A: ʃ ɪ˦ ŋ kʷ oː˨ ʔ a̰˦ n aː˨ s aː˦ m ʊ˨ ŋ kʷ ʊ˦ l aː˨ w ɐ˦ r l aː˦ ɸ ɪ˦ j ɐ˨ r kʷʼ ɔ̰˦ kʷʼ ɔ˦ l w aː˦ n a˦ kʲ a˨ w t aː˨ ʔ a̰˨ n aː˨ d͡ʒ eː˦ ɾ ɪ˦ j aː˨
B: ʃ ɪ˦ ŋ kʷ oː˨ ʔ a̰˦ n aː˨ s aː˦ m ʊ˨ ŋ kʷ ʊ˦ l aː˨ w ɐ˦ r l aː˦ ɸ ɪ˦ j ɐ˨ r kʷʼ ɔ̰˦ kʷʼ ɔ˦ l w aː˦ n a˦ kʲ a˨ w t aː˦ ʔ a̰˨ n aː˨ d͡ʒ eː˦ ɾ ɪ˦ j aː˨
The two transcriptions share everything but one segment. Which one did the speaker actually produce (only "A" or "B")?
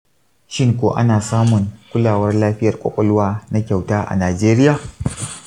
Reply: B